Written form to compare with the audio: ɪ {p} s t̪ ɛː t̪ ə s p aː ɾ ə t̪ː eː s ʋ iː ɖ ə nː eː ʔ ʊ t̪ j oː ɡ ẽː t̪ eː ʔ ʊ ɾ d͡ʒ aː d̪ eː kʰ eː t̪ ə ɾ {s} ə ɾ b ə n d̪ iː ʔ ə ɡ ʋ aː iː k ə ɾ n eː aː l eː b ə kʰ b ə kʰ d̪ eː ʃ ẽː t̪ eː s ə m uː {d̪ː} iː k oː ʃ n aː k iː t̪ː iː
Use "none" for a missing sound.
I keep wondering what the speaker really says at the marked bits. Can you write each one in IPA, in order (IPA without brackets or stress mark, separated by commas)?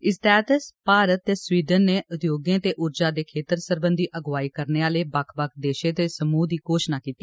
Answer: none, s, d̪